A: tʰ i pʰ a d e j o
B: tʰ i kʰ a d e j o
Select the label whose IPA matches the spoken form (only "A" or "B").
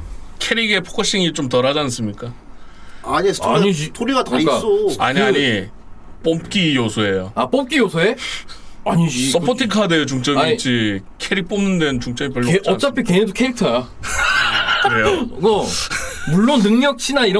B